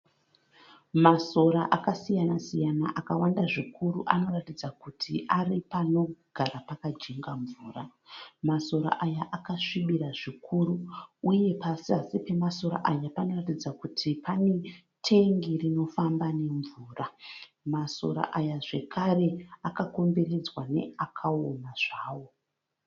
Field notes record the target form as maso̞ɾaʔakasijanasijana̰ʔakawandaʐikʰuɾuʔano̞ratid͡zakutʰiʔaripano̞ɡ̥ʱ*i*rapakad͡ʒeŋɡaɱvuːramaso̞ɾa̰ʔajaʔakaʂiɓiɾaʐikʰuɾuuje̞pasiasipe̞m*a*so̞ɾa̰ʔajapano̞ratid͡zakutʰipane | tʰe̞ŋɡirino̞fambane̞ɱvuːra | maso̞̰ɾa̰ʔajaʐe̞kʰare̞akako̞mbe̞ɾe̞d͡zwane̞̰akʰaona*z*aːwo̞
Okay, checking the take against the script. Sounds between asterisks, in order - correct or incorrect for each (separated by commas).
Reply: incorrect, correct, incorrect